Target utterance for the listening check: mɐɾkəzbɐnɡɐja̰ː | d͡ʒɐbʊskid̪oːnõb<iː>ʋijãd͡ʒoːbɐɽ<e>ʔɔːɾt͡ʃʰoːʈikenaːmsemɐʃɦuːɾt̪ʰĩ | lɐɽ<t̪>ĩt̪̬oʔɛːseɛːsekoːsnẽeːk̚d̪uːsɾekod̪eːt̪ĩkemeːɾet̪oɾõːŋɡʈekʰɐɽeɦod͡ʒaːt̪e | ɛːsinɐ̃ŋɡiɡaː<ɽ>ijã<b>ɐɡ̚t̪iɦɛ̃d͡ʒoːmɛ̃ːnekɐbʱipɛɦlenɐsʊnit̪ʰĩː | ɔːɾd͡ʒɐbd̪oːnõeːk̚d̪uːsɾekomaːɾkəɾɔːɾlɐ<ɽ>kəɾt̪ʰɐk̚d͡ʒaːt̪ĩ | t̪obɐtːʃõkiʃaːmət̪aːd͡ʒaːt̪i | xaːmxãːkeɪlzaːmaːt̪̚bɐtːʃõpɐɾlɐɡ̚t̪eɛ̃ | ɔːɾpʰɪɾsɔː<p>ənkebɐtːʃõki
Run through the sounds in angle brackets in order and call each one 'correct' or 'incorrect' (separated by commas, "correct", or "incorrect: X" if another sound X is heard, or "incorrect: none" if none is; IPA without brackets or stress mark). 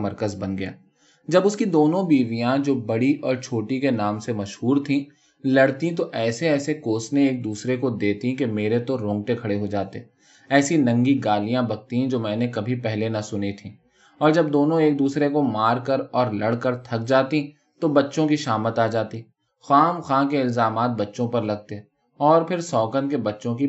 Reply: correct, incorrect: i, correct, incorrect: l, correct, correct, incorrect: k